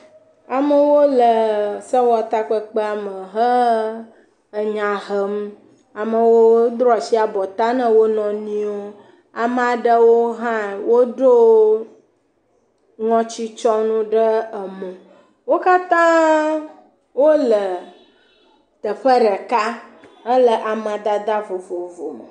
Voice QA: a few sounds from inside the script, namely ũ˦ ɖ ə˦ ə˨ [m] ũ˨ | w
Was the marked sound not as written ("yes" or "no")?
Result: no